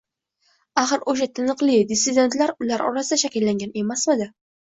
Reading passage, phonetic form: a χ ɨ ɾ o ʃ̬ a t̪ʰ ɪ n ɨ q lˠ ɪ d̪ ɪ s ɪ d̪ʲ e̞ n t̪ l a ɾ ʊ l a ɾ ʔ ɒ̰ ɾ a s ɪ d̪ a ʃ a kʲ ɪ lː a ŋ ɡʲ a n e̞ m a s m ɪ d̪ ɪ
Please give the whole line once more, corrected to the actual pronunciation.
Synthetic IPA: a χ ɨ ɾ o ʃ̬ a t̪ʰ ɪ n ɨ q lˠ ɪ d̪ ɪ s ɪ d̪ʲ e̞ n t̪ l a ɾ ʊ l a ɾ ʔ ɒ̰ ɾ a s ɪ d̪ a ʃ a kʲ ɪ lː a ŋ ɡʲ a n e̞ m a s m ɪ d̪ ɪ